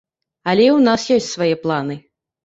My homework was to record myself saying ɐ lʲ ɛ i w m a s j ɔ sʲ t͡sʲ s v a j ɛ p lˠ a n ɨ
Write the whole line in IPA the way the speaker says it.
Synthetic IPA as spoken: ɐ lʲ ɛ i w n a s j ɔ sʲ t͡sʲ s v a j ɛ p lˠ a n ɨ